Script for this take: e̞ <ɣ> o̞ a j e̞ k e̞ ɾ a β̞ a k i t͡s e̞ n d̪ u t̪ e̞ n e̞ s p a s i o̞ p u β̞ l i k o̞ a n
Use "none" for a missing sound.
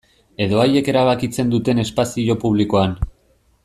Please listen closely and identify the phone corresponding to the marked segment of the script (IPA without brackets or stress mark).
ð